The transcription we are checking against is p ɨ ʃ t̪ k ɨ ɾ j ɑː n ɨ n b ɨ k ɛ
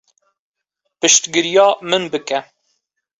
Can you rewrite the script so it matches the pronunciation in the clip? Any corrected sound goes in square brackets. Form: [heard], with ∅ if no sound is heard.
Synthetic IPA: p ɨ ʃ t̪ [ɡ] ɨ ɾ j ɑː [m] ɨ n b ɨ k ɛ